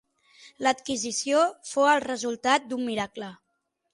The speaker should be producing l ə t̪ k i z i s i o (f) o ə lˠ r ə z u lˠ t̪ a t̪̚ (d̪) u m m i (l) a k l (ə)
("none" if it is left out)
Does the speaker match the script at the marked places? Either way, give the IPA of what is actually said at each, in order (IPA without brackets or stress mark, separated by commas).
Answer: f, d̪, ɾ, ə